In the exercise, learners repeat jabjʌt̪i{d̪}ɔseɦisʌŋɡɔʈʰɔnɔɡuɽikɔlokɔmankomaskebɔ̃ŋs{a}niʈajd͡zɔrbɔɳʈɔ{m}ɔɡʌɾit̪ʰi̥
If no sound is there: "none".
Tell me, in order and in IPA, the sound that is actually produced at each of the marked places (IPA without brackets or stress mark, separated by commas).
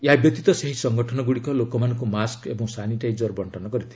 t̪, a, n